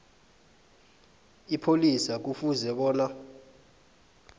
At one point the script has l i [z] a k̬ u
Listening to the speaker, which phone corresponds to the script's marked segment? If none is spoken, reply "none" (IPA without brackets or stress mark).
s